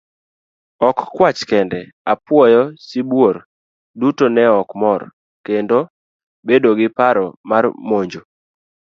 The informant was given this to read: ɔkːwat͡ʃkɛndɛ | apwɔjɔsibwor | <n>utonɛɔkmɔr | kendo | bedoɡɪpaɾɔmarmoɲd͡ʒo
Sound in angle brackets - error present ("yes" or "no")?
yes